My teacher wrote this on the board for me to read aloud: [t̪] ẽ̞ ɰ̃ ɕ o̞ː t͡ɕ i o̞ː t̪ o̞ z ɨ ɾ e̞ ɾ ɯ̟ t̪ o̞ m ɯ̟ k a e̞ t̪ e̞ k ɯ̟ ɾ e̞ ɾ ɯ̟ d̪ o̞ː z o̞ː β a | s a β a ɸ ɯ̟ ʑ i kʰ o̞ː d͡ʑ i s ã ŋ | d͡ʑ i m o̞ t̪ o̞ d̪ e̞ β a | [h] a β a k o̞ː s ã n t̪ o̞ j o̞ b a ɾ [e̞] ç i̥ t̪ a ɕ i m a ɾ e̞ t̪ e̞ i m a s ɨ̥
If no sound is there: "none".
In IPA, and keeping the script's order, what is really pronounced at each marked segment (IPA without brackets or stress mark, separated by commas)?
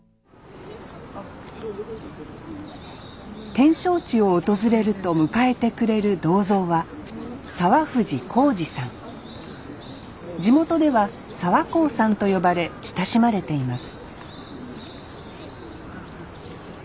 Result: t̪, s, e̞